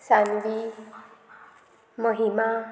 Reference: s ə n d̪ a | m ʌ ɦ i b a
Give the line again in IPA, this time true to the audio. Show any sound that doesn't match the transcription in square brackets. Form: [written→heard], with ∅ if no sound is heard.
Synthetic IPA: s [ə→a] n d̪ [a→i] | m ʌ ɦ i [b→m] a